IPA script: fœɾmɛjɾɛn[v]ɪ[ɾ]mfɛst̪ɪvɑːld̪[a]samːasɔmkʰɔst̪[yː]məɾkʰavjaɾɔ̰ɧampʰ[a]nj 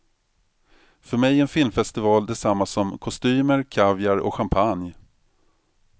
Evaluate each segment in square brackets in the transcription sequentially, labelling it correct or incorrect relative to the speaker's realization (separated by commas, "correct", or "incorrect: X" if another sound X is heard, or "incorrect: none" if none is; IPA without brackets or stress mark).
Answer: incorrect: f, incorrect: l, incorrect: ɛ, correct, correct